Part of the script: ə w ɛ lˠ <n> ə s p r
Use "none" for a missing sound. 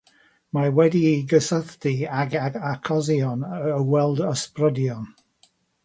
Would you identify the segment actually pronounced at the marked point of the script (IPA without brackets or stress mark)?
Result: d